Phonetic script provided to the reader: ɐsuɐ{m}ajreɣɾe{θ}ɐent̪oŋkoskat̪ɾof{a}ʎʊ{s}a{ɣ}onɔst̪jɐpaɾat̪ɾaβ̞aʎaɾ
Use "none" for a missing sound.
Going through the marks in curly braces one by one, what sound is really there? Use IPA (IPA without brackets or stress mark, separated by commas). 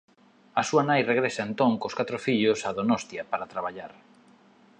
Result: n, s, i, s, ð